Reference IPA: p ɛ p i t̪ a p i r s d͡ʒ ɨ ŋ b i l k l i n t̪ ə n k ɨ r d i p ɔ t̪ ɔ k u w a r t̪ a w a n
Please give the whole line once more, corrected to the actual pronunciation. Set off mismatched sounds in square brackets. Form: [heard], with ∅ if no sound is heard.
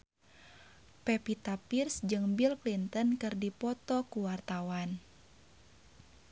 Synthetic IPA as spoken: p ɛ p i t̪ a p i r s d͡ʒ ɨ ŋ b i l k l i n t̪ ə n k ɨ r d i p ɔ t̪ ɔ k u w a r t̪ a w a n